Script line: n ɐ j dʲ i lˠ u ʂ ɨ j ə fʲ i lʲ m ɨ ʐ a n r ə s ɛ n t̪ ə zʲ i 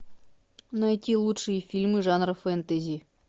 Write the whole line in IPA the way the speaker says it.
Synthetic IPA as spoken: n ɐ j tʲ i lˠ u ʂ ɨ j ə fʲ i lʲ m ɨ ʐ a n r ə f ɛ n t̪ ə zʲ i